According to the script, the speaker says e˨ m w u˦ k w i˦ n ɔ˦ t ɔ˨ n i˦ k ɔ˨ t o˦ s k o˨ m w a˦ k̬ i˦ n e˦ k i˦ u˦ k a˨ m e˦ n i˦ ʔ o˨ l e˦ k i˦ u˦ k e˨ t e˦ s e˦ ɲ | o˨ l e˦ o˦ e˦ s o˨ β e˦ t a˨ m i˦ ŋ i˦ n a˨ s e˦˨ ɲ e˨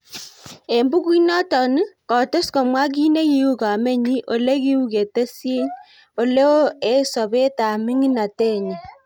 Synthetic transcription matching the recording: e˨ m b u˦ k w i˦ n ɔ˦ t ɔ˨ n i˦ k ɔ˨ t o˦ s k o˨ m w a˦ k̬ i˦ n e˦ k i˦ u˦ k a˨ m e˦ ɲ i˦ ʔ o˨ l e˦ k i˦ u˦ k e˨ t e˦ s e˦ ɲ | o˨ l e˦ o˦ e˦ s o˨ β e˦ t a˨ m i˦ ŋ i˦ n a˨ t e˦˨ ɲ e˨